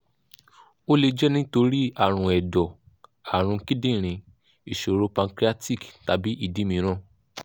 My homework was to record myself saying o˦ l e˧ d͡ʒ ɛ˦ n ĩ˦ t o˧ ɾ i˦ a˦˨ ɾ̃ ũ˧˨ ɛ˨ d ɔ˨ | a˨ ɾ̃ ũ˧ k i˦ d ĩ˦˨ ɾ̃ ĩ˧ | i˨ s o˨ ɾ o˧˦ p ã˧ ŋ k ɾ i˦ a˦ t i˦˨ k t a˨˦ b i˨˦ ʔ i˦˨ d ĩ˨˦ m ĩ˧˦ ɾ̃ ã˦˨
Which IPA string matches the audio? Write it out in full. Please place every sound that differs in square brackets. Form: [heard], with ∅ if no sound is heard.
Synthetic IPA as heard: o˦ l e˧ d͡ʒ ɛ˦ n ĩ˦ t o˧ ɾ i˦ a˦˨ ɾ̃ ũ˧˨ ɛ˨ d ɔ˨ | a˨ ɾ̃ ũ˧ k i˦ d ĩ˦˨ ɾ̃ ĩ˧ | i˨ [ʃ] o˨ ɾ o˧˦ p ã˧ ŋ k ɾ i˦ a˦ t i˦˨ k t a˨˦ b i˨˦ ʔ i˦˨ d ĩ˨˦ m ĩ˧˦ ɾ̃ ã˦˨